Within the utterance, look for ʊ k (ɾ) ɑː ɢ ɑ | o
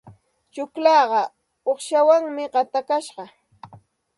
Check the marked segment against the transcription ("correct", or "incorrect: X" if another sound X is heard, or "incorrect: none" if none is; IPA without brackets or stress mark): incorrect: l